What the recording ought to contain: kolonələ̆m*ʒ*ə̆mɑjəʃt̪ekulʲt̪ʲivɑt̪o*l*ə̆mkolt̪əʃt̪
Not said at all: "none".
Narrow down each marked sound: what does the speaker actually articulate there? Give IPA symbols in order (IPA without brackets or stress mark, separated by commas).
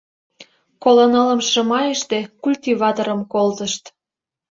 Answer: ʃ, ɾ